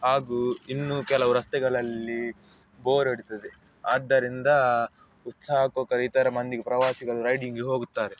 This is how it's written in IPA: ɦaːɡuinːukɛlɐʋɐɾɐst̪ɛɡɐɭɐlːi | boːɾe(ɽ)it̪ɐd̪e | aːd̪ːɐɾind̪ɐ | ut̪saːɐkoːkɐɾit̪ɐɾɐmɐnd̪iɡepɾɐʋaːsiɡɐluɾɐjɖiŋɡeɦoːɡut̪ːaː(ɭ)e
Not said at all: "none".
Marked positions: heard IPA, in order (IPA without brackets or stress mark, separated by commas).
ɽ, ɾ